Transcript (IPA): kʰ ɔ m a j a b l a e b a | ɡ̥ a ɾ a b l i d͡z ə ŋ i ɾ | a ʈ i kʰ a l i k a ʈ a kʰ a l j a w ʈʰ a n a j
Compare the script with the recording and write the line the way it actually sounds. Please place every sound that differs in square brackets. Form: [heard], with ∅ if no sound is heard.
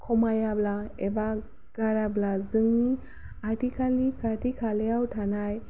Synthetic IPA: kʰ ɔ m a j a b l a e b a | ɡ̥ a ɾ a b l [a] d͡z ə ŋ i [∅] | a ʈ i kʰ a l i k a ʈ [i] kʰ a l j a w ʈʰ a n a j